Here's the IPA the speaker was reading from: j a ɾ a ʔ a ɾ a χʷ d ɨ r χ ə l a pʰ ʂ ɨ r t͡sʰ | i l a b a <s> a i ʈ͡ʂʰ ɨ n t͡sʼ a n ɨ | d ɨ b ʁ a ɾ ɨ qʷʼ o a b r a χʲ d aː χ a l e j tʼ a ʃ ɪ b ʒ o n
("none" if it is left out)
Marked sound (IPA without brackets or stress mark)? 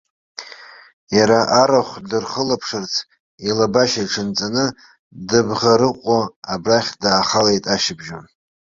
ʃ